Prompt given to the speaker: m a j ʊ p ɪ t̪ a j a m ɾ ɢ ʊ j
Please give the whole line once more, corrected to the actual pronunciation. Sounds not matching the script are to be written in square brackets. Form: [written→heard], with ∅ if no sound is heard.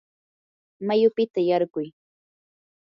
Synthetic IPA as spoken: m a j ʊ p ɪ t̪ a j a [m→∅] ɾ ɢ ʊ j